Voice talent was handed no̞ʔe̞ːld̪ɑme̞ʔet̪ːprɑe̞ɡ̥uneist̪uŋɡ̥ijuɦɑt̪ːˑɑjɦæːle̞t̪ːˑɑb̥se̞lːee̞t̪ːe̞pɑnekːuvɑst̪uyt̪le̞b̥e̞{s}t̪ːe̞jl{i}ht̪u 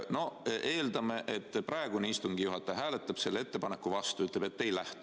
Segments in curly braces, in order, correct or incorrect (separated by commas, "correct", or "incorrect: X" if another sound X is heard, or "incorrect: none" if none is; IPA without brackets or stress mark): incorrect: none, incorrect: æ